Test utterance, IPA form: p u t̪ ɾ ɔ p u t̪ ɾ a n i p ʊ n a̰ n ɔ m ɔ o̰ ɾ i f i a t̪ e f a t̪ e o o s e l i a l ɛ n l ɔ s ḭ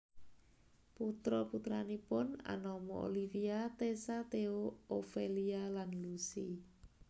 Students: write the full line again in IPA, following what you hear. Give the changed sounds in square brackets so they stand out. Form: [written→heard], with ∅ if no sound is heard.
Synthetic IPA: p u t̪ ɾ ɔ p u t̪ ɾ a n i p ʊ n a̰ n ɔ m ɔ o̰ [ɾ→l] i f i a t̪ e [f→s] a t̪ e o o [s→f] e l i a l [ɛ→a] n l [ɔ→u] s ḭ